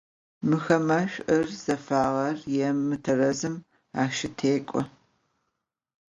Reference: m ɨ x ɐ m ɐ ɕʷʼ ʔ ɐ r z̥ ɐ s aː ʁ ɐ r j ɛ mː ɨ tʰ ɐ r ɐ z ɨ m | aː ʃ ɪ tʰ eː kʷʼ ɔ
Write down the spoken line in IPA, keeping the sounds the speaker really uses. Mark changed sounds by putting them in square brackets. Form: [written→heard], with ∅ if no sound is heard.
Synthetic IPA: m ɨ x ɐ m ɐ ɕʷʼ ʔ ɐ r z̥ ɐ [s→f] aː ʁ ɐ r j ɛ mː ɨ tʰ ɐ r ɐ z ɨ m | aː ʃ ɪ tʰ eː kʷʼ ɔ